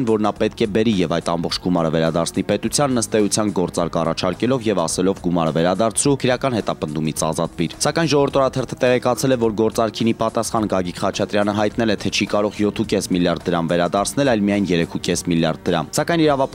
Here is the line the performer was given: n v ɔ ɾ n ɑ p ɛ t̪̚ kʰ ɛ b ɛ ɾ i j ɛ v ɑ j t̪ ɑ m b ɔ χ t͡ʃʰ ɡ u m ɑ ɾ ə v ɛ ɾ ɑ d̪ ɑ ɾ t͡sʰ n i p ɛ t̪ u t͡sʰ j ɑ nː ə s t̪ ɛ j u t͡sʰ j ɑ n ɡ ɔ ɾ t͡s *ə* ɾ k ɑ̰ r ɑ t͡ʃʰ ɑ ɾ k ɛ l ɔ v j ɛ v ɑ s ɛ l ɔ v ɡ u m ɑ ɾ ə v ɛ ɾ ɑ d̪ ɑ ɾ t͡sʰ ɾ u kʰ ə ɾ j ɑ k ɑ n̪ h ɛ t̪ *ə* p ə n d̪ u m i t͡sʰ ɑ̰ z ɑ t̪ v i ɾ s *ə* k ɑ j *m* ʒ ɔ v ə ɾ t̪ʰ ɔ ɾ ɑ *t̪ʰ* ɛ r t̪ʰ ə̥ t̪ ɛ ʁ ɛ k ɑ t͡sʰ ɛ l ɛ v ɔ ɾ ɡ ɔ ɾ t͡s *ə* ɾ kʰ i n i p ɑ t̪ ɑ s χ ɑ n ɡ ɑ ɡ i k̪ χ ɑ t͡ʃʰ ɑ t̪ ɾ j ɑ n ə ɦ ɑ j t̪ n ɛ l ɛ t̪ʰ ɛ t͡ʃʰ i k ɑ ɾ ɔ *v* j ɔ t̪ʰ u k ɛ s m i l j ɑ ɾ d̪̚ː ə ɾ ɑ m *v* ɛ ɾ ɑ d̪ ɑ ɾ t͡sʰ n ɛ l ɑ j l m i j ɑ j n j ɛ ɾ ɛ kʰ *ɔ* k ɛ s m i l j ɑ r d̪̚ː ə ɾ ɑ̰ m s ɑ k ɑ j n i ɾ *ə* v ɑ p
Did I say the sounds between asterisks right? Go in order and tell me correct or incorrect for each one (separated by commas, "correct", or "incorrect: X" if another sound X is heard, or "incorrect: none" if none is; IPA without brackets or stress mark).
incorrect: ɑ, incorrect: ɑ, incorrect: ɑ, incorrect: n, correct, incorrect: ɑ, incorrect: ʁ, correct, incorrect: u, incorrect: ɑ